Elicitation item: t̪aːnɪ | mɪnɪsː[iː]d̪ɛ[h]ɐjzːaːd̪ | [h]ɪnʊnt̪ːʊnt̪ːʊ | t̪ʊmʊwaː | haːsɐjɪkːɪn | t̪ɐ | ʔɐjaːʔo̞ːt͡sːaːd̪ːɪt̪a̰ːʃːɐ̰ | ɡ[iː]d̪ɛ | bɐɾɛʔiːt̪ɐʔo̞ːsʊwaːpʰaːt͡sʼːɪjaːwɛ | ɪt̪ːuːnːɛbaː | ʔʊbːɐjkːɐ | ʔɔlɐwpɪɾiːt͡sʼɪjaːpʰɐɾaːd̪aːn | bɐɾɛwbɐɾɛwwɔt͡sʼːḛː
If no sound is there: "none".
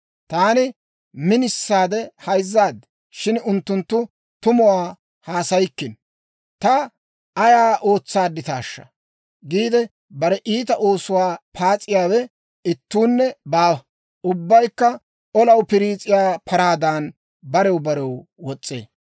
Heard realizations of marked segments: aː, h, ʃ, iː

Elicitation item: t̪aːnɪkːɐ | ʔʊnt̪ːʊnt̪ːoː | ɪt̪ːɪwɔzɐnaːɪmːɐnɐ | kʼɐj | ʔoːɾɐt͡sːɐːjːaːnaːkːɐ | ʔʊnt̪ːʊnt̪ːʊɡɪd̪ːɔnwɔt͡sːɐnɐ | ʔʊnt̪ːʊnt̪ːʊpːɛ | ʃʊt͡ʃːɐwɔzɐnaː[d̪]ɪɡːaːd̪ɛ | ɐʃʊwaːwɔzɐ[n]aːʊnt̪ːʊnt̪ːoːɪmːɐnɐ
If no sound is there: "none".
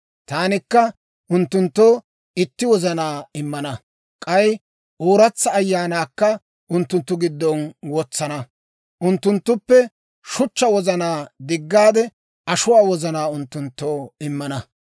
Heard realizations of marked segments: d̪, n

